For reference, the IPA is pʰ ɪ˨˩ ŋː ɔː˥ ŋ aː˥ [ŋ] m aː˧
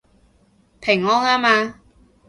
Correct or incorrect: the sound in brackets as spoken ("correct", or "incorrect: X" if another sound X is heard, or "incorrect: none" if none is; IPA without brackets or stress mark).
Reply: incorrect: none